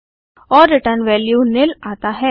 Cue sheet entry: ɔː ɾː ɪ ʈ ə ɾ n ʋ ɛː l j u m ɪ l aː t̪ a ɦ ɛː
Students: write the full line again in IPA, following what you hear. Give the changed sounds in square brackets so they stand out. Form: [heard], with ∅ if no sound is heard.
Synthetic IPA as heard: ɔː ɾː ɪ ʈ ə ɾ n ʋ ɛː l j u [n] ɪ l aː t̪ a ɦ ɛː